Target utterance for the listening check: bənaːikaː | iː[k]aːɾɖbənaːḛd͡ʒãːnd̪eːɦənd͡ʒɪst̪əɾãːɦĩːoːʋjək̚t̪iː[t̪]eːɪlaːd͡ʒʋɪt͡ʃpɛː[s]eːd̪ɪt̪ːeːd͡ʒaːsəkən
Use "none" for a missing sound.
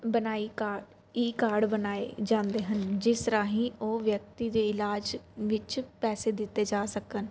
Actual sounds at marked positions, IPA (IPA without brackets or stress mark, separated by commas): k, d̪, s